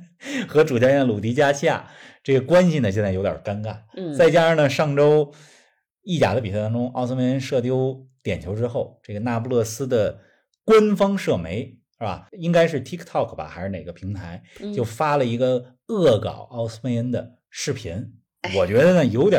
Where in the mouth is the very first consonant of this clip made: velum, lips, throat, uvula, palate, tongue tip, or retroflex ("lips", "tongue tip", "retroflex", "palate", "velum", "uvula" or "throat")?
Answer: velum